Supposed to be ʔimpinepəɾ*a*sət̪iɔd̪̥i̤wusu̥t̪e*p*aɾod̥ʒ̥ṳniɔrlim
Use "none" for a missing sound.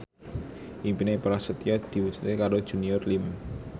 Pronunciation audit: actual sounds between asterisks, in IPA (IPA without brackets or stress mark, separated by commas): a, k